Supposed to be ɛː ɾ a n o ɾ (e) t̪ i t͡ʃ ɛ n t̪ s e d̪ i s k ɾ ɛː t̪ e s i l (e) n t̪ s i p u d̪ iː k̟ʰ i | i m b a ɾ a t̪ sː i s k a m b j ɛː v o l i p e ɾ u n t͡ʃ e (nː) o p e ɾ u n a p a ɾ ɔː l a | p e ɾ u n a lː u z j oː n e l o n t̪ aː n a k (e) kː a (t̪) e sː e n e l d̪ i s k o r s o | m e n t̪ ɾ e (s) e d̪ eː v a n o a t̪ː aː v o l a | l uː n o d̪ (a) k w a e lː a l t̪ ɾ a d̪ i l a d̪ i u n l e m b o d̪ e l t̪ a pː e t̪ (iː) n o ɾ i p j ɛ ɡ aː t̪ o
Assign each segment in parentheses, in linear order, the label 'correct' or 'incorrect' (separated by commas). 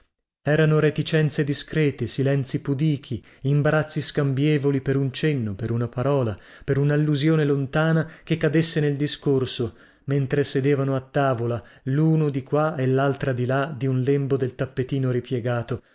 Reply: correct, incorrect, correct, correct, incorrect, correct, incorrect, correct